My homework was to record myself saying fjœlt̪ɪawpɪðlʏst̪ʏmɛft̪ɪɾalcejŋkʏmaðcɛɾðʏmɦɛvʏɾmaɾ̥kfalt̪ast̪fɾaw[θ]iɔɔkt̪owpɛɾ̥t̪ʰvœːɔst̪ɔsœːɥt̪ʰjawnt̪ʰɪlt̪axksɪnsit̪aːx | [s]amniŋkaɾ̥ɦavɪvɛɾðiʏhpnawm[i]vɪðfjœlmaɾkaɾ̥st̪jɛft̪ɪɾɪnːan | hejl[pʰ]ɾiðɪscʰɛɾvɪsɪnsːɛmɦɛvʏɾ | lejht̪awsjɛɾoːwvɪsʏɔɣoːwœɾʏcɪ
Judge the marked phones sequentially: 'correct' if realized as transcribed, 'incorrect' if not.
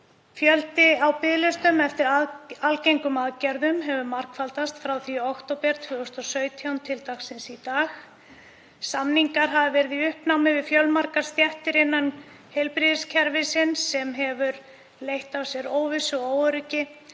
correct, correct, incorrect: ɪ, incorrect: p

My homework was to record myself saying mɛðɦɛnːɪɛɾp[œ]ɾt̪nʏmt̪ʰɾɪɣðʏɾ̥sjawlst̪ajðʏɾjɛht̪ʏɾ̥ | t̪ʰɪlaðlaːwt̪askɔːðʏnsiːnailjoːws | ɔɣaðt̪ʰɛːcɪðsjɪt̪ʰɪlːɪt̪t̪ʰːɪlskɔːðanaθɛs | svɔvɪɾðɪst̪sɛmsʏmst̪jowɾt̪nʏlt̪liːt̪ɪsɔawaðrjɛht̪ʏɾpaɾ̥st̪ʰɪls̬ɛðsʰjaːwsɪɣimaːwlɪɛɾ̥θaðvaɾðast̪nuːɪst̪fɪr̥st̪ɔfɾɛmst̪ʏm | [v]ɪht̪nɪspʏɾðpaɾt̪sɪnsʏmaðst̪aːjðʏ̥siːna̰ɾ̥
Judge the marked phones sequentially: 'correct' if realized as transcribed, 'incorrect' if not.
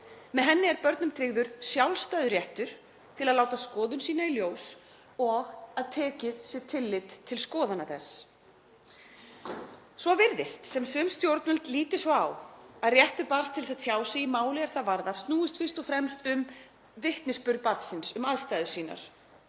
correct, correct

